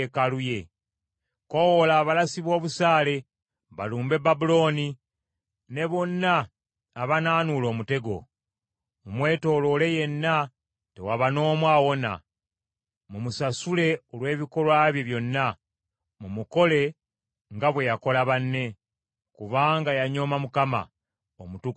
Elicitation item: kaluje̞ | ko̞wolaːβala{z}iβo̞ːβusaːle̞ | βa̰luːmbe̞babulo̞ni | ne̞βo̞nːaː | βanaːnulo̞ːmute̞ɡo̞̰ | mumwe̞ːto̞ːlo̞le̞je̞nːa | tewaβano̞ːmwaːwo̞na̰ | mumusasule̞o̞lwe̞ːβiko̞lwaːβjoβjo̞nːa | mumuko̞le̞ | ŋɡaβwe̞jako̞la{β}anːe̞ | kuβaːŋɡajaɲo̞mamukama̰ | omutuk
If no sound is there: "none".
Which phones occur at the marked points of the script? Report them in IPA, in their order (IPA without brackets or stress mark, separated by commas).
s, β